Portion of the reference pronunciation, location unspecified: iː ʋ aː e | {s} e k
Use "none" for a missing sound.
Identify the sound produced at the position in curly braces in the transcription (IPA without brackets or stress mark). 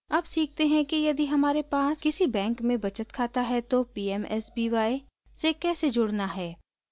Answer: s